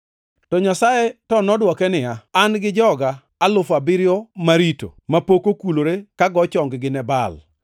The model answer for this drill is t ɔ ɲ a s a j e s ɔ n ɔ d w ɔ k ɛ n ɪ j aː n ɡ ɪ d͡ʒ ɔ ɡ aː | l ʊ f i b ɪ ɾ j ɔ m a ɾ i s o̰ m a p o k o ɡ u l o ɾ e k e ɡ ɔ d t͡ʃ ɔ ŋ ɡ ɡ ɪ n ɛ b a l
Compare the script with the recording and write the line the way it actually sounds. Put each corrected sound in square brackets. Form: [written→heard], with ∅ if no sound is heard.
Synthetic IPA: t ɔ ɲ a s a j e [s→t] ɔ n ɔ d w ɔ k ɛ n ɪ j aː n ɡ ɪ d͡ʒ ɔ ɡ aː | l ʊ f [i→a] b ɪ ɾ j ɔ m a ɾ i [s→t] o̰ m a p o k o [ɡ→k] u l o ɾ e k [e→a] ɡ ɔ [d→∅] t͡ʃ ɔ ŋ ɡ ɡ ɪ n ɛ b a l